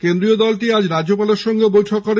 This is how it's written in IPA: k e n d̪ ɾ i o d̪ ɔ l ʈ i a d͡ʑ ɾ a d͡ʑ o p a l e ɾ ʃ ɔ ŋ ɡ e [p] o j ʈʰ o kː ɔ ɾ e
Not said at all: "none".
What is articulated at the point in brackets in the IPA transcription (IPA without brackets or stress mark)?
b